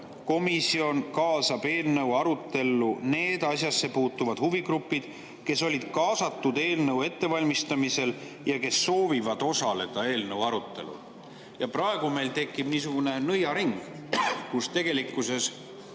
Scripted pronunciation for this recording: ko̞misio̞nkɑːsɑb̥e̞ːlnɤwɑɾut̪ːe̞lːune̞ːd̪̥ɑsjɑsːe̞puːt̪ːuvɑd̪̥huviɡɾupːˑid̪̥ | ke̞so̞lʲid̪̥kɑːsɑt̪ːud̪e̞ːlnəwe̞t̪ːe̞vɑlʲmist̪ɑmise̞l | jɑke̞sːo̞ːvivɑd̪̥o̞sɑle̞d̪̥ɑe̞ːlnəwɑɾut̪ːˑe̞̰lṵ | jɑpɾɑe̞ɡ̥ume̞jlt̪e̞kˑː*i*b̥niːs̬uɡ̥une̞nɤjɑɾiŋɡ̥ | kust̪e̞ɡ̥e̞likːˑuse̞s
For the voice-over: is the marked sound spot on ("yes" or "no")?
yes